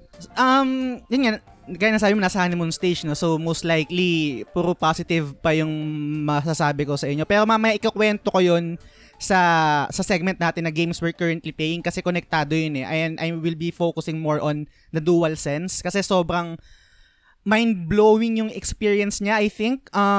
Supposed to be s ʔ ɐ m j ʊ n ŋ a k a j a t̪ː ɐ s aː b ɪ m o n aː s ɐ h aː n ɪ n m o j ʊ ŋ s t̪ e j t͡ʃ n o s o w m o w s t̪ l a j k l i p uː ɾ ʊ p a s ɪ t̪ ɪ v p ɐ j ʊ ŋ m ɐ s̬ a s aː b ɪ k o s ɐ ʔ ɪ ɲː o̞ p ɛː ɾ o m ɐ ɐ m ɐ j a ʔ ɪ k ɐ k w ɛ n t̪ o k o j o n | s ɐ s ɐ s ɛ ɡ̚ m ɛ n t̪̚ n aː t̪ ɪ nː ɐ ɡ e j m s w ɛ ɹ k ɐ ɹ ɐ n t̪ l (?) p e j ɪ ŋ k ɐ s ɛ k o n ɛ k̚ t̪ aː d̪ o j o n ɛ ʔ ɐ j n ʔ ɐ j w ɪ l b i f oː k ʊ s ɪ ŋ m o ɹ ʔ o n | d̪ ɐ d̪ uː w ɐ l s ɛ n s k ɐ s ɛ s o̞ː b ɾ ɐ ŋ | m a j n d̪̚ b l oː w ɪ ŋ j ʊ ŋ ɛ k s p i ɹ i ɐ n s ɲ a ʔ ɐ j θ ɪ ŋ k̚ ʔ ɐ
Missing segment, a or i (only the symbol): i